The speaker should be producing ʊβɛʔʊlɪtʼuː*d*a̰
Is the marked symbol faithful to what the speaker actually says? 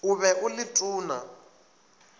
no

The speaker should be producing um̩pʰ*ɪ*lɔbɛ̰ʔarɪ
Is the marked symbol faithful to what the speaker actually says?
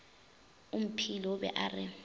no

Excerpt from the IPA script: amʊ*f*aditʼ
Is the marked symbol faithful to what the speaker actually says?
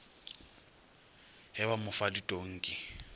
yes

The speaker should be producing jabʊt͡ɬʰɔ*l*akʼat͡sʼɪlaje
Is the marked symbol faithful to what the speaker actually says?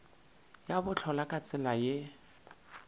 yes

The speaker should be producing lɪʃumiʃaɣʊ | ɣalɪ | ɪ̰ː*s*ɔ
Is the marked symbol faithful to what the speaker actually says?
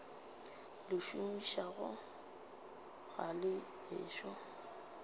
no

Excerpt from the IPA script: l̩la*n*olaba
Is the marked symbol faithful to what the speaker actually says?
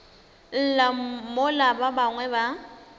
no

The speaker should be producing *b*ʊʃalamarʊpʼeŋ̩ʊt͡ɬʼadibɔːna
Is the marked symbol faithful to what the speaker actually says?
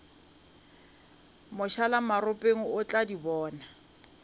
no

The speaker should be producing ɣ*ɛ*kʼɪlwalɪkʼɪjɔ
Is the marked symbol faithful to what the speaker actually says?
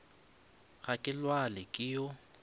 no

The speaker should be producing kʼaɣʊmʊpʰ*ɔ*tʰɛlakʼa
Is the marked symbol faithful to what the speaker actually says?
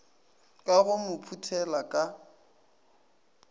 no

